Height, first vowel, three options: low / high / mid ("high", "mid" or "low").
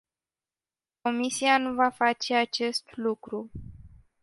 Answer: mid